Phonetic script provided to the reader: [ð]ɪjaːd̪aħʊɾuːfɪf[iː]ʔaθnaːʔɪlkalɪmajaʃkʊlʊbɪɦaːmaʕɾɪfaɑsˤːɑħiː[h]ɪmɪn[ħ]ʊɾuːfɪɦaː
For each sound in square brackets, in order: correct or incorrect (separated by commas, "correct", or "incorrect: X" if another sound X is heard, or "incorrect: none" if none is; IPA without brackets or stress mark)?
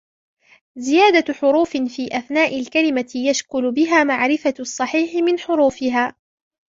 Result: incorrect: z, correct, incorrect: ħ, correct